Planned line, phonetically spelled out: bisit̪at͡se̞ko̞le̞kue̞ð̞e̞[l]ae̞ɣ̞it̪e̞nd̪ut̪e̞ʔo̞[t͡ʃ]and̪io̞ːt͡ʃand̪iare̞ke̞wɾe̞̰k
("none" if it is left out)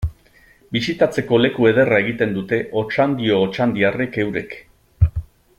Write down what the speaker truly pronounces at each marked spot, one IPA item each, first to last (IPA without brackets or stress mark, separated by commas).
r, t͡ʃ